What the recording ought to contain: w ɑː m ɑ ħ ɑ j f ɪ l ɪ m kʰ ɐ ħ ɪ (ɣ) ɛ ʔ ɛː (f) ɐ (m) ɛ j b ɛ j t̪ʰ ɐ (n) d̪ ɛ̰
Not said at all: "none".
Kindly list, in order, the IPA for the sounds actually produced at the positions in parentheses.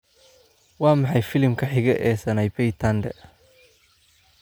ɣ, s, n, n

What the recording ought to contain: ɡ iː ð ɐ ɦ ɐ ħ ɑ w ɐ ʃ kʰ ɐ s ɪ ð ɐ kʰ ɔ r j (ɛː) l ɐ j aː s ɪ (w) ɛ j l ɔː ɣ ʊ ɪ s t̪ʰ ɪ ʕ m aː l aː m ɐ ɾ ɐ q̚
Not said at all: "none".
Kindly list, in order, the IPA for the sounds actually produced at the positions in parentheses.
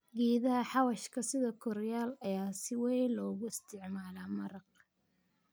aː, w

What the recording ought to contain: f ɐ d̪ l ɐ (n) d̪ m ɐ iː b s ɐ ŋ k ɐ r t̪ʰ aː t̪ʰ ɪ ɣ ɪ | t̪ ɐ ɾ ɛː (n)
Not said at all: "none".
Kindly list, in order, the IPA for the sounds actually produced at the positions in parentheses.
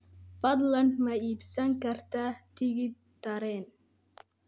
n, n

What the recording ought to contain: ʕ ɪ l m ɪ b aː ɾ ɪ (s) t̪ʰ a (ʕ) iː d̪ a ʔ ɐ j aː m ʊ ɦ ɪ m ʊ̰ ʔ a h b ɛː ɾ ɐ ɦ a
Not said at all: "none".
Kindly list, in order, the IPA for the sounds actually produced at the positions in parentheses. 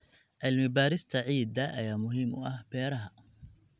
s, ʕ

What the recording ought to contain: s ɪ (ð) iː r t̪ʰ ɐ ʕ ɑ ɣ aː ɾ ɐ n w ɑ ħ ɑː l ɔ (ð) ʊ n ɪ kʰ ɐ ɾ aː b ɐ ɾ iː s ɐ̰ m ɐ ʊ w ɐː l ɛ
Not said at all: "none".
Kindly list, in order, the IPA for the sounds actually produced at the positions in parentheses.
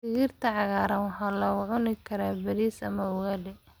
ɣ, ʕ

